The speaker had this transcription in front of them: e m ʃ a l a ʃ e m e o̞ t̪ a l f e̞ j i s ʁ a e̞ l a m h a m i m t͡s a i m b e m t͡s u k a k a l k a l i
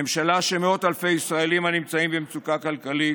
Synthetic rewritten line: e m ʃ a l a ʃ e m e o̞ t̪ a l f e̞ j i s ʁ a e̞ l i m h a n i m t͡s a i m b e m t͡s u k a k a l k a l i